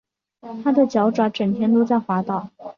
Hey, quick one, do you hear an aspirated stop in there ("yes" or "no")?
yes